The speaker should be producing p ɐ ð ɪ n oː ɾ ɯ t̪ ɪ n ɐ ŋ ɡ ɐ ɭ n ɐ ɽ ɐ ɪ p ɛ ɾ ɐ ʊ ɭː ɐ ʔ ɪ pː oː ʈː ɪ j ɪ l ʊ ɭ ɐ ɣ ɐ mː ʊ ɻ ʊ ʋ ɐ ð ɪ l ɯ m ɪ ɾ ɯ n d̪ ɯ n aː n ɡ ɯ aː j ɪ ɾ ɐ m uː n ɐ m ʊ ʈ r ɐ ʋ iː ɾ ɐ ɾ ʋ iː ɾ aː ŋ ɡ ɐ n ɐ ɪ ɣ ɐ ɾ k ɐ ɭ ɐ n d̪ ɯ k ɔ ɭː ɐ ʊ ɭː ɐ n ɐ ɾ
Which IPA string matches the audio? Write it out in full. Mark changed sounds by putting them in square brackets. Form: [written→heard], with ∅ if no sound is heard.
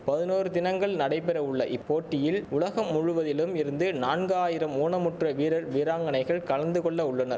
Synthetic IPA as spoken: p ɐ ð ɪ n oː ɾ ɯ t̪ ɪ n ɐ ŋ ɡ ɐ ɭ n ɐ ɽ ɐ ɪ p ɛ ɾ ɐ ʊ ɭː ɐ ʔ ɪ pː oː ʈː ɪ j ɪ l ʊ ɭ ɐ ɣ ɐ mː ʊ ɻ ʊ ʋ ɐ ð ɪ l ɯ m ɪ ɾ ɯ n d̪ ɯ n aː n ɡ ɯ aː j ɪ ɾ ɐ m uː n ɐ m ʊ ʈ r ɐ ʋ iː ɾ ɐ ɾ ʋ iː ɾ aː ŋ ɡ ɐ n ɐ ɪ ɣ ɐ [ɾ→ɭ] k ɐ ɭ ɐ n d̪ ɯ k ɔ ɭː ɐ ʊ ɭː ɐ n ɐ ɾ

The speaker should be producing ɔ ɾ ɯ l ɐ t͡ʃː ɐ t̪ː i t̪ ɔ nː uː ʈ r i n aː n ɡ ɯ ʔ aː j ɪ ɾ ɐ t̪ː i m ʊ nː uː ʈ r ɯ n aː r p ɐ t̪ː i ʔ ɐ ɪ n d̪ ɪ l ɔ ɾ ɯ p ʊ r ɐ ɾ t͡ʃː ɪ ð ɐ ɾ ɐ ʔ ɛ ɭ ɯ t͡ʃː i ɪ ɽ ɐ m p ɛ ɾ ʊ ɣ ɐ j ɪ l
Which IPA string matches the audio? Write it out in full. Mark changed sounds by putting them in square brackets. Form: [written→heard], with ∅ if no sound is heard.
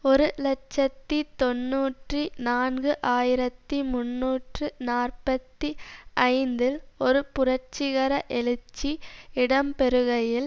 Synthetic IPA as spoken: ɔ ɾ ɯ l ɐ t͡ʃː ɐ t̪ː i t̪ ɔ nː uː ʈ r i n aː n ɡ ɯ ʔ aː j ɪ ɾ ɐ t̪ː i m ʊ nː uː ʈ r ɯ n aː r p ɐ t̪ː i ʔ ɐ ɪ n d̪ ɪ l ɔ ɾ ɯ p ʊ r ɐ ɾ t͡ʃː ɪ [ð→ɣ] ɐ ɾ ɐ ʔ ɛ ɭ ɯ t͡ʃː i ɪ ɽ ɐ m p ɛ ɾ [ʊ→ɯ] ɣ ɐ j ɪ l

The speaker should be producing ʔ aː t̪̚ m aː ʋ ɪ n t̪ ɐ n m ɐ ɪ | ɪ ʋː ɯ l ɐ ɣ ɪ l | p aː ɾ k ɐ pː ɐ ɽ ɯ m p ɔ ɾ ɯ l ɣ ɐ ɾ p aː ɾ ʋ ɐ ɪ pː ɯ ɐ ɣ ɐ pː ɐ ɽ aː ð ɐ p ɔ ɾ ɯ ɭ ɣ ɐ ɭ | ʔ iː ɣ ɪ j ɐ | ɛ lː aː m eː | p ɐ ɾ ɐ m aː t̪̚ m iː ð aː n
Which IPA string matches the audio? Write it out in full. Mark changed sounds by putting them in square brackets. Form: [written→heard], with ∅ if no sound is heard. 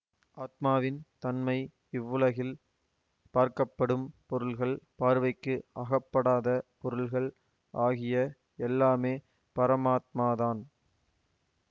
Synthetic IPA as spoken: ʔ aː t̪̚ m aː ʋ ɪ n t̪ ɐ n m ɐ ɪ | ɪ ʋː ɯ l ɐ ɣ ɪ l | p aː ɾ k ɐ pː ɐ ɽ ɯ m p ɔ ɾ ɯ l ɣ ɐ [ɾ→ɭ] p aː ɾ ʋ ɐ ɪ [pː→kː] ɯ ɐ ɣ ɐ pː ɐ ɽ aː ð ɐ p ɔ ɾ ɯ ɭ ɣ ɐ ɭ | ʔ [iː→aː] ɣ ɪ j ɐ | ɛ lː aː m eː | p ɐ ɾ ɐ m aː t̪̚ m [iː→aː] ð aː n

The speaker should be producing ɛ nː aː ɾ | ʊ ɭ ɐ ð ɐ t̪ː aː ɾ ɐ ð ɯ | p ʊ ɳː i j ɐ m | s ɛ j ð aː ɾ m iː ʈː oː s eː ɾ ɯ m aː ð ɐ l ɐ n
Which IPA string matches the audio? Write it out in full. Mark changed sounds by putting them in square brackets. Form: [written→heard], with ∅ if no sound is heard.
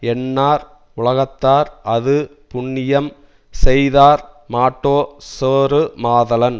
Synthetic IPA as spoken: ɛ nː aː ɾ | ʊ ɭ ɐ [ð→ɣ] ɐ t̪ː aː ɾ ɐ ð ɯ | p ʊ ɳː [i→ɪ] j ɐ m | s ɛ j ð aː ɾ m [iː→aː] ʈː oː s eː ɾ ɯ m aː ð ɐ l ɐ n

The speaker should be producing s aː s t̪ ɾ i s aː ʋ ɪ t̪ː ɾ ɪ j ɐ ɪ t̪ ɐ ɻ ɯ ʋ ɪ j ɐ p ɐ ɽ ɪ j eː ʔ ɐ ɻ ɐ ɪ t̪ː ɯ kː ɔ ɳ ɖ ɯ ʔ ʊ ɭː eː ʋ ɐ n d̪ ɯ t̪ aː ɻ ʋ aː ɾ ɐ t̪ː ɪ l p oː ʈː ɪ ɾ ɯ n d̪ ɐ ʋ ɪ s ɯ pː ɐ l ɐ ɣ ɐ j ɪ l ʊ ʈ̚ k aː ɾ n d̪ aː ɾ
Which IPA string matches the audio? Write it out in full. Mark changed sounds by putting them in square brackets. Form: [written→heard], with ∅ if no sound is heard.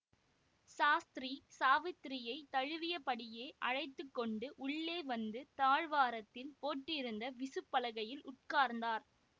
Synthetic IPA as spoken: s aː s t̪ ɾ i s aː ʋ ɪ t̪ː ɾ ɪ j ɐ ɪ t̪ ɐ ɻ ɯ ʋ ɪ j ɐ p ɐ ɽ ɪ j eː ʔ ɐ ɻ ɐ ɪ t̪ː ɯ kː ɔ ɳ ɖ ɯ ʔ ʊ ɭː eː ʋ ɐ n d̪ ɯ t̪ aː ɻ ʋ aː ɾ ɐ t̪ː ɪ l p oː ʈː ɪ ɾ ɯ n d̪ ɐ ʋ ɪ s ɯ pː ɐ l ɐ ɣ ɐ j ɪ l ʊ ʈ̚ k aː ɾ n d̪ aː ɾ

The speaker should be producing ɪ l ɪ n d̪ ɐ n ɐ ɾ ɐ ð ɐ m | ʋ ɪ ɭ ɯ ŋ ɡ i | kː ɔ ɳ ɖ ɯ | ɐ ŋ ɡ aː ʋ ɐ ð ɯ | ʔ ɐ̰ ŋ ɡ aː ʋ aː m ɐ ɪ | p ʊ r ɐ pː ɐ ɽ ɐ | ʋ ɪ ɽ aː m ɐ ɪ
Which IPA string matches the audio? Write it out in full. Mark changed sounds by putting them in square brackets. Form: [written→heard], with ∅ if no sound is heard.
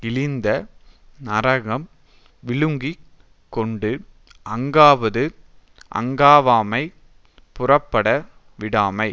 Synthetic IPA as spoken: ɪ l ɪ n d̪ ɐ n ɐ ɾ ɐ [ð→ɣ] ɐ m | ʋ ɪ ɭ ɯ ŋ ɡ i | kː ɔ ɳ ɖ ɯ | ɐ ŋ ɡ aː ʋ ɐ ð ɯ | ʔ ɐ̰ ŋ ɡ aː ʋ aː m ɐ ɪ | p ʊ r ɐ pː ɐ ɽ ɐ | ʋ ɪ ɽ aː m ɐ ɪ

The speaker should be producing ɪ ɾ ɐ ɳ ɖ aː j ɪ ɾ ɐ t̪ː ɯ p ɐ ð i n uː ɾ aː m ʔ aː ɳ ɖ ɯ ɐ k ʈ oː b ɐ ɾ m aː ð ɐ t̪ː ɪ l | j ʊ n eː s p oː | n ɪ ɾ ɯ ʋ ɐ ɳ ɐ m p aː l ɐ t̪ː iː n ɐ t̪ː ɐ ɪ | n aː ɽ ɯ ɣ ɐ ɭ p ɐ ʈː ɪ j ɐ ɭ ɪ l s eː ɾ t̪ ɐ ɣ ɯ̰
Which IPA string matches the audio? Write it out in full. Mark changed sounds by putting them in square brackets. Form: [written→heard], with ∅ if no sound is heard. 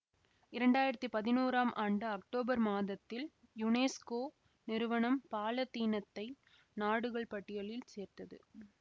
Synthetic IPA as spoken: ɪ ɾ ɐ ɳ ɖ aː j ɪ ɾ ɐ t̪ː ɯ p ɐ ð [i→ɪ] n uː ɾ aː m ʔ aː ɳ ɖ ɯ ɐ k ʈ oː b ɐ ɾ m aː ð ɐ t̪ː ɪ l | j ʊ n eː s [p→k] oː | n ɪ ɾ ɯ ʋ ɐ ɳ ɐ m p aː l ɐ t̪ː iː n ɐ t̪ː ɐ ɪ | n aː ɽ ɯ ɣ ɐ ɭ p ɐ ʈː ɪ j ɐ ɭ ɪ l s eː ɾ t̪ ɐ [ɣ→ð] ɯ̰

